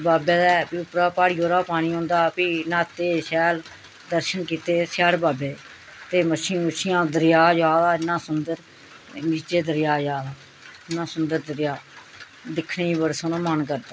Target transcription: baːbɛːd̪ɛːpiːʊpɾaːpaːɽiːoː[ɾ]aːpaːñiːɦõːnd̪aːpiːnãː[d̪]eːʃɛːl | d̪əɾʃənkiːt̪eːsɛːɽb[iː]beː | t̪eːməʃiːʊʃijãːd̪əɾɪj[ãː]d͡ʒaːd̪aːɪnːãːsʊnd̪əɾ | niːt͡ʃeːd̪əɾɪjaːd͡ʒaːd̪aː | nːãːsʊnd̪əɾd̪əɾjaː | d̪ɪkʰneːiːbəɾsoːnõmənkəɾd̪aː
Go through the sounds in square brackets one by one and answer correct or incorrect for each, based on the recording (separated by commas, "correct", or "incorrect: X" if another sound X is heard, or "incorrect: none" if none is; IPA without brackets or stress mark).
correct, incorrect: t̪, incorrect: aː, incorrect: aː